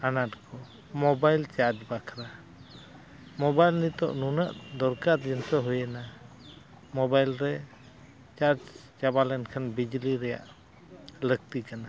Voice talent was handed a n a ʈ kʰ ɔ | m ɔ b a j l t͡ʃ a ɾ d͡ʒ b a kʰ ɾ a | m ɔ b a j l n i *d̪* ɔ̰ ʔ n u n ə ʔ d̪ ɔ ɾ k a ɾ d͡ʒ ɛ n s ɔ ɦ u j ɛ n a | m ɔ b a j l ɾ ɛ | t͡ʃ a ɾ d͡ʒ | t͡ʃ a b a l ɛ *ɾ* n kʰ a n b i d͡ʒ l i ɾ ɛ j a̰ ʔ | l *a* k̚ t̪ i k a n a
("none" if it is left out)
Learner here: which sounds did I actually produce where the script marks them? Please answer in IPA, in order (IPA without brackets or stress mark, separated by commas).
t̪, none, ə